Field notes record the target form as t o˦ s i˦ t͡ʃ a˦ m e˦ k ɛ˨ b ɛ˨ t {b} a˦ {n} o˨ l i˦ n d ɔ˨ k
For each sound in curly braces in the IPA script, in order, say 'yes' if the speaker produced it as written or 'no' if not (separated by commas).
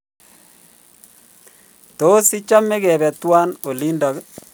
no, yes